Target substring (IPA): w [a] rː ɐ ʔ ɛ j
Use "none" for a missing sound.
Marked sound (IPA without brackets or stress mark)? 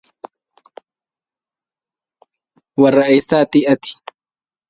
ɐ